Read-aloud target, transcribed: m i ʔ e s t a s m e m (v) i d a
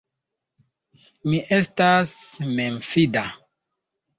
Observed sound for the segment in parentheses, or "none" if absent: f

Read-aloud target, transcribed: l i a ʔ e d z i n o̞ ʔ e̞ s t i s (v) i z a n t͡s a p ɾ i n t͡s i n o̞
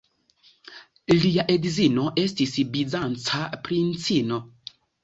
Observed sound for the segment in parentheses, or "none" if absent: b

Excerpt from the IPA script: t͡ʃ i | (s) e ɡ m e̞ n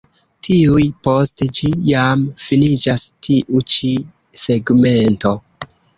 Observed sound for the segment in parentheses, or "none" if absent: s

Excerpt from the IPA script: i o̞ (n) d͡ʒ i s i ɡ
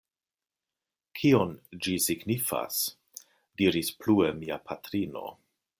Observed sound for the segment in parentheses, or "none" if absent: n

